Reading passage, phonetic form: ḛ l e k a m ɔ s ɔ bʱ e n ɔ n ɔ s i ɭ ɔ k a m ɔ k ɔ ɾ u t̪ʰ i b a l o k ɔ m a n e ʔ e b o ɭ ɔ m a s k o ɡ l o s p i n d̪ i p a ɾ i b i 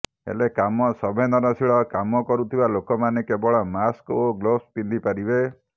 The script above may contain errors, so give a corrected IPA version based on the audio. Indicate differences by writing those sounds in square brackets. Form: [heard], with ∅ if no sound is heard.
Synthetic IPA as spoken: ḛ l e k a m ɔ s ɔ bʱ e n ɔ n ɔ s i ɭ ɔ k a m ɔ k ɔ ɾ u t̪ʰ i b a l o k ɔ m a n e [k] e b [ɔ] ɭ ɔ m a s k o ɡ l o s p i n d̪ i p a ɾ i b [e]